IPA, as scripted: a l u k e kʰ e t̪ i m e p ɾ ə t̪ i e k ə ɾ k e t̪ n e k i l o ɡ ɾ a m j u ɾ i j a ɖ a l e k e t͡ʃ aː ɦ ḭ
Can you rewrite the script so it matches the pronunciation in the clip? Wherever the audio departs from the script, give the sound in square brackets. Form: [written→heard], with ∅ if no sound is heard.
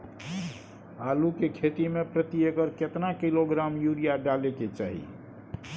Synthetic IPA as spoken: a l u k e kʰ e t̪ i m e p ɾ ə t̪ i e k ə ɾ k e t̪ n [e→a] k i l o ɡ ɾ a m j u ɾ i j a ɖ a l e k e t͡ʃ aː ɦ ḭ